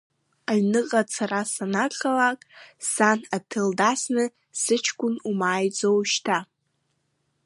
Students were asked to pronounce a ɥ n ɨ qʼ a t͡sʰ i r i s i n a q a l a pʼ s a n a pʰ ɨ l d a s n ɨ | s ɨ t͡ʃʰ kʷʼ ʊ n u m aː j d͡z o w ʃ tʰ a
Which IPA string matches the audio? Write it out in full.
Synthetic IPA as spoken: a ɥ n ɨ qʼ a t͡sʰ a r a s a n a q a l a kʼ s a n a tʰ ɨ l d a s n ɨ | s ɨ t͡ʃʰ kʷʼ ʊ n u m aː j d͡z o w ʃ tʰ a